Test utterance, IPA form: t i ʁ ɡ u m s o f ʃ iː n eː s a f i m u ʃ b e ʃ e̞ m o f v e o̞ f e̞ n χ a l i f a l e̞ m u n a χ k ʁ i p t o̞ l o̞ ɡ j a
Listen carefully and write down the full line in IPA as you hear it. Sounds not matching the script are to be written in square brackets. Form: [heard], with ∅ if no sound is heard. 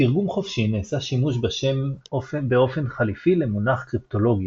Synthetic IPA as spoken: t i ʁ ɡ u m [χ] o f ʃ [i] n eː s a [ʃ] i m u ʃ b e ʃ e̞ m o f [b] e o̞ f e̞ n χ a l i f [i] l e̞ m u n a χ k ʁ i p t o̞ l o̞ ɡ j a